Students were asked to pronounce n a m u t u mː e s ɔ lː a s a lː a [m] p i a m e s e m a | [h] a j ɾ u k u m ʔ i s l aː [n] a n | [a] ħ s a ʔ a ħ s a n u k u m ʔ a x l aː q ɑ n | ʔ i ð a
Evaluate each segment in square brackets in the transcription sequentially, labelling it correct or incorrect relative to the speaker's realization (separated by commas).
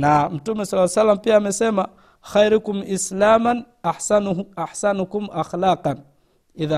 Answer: correct, incorrect, incorrect, correct